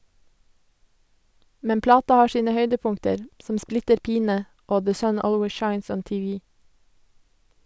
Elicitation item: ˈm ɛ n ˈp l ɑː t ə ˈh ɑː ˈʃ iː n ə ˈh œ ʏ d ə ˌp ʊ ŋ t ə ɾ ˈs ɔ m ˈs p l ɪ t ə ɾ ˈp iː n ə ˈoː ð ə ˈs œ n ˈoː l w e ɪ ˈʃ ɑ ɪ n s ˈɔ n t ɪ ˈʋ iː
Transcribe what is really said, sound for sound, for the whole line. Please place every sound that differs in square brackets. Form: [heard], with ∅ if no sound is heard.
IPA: ˈm ɛ n ˈp l ɑː t [ɑ] ˈh ɑː ˈʃ iː n ə ˈh œ ʏ d ə ˌp ʊ ŋ t ə ɾ ˈs ɔ m ˈs p l ɪ t ə ɾ ˈp iː n ə ˈoː ð ə ˈs œ n ˈoː l w e ɪ ˈʃ ɑ ɪ n s ˈɔ n t ɪ ˈʋ iː